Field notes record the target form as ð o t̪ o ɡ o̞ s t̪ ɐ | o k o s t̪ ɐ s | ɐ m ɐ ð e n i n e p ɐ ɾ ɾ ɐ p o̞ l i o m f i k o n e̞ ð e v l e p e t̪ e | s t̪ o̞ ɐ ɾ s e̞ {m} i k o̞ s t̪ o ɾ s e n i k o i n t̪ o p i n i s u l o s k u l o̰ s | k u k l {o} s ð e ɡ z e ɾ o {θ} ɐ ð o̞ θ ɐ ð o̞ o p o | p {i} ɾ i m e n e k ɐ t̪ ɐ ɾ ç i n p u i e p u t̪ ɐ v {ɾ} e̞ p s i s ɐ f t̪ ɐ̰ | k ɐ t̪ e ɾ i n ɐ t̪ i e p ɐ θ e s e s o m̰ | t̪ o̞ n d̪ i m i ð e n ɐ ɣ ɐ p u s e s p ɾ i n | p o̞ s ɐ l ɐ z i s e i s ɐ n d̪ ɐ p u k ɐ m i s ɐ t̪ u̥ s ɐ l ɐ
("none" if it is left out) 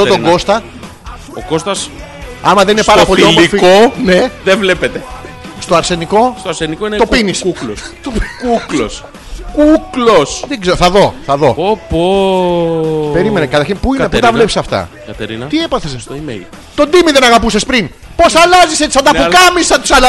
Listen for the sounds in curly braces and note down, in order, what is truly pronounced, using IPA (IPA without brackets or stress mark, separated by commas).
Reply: n, o, θ, e, l